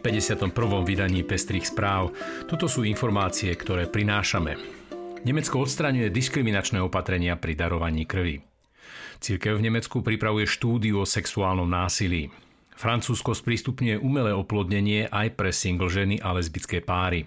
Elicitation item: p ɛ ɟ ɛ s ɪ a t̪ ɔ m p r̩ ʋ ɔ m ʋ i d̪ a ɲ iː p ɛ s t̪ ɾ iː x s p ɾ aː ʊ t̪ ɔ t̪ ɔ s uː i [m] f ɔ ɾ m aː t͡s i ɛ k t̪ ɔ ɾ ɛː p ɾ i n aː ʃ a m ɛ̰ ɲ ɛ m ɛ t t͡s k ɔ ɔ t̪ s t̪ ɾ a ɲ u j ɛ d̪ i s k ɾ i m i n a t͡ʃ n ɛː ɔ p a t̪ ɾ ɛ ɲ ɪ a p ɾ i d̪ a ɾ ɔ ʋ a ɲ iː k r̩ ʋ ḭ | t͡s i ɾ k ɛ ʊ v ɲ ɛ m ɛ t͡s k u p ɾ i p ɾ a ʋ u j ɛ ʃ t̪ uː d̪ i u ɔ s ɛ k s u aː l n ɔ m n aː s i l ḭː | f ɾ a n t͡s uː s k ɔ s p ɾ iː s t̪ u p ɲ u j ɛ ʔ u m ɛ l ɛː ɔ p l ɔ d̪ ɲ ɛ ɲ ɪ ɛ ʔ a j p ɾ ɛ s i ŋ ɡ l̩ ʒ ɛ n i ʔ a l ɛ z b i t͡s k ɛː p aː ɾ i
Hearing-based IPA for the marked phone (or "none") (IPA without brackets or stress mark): n